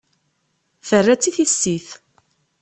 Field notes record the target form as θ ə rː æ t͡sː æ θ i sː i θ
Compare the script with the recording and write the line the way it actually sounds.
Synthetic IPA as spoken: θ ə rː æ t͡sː i θ i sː i θ

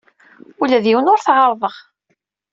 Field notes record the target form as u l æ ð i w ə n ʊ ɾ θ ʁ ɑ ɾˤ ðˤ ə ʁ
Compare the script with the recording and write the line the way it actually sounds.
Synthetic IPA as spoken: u l æ ð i w ə n ʊ ɾ θ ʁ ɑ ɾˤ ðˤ ə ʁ

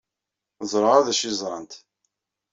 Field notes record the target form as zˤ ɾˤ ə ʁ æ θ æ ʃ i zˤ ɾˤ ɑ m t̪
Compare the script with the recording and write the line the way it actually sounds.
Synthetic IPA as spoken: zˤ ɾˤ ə ʁ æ ð æ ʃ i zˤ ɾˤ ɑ n t̪

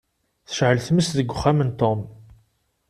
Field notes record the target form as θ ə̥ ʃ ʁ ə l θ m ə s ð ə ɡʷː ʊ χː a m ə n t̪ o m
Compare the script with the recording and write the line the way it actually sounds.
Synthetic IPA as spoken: θ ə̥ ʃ ʕ ə l θ m ə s ð ə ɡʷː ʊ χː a m ə n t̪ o m

